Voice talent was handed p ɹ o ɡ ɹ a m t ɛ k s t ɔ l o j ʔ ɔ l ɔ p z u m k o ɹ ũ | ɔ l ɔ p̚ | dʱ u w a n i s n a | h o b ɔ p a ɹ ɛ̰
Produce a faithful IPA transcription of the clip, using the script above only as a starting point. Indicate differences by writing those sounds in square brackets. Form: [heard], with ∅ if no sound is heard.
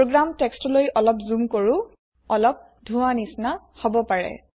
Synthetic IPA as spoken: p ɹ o ɡ ɹ a m t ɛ k s t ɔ l o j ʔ ɔ l ɔ p z u m k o ɹ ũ | ɔ l ɔ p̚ | dʱ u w a n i s n a | h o b ɔ p a ɹ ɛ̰